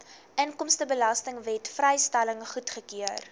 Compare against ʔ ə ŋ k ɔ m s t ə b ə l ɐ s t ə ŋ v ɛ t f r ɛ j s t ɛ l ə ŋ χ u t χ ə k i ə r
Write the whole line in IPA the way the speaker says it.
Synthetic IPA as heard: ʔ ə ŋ k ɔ m s t ə b ə l ɐ s t ə ŋ v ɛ t f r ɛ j s t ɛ l ə ŋ χ u t χ ə k i ə r